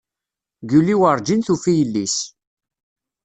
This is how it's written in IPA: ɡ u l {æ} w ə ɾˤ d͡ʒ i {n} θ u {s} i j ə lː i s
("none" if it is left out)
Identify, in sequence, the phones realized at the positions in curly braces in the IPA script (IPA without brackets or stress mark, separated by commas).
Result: i, n, f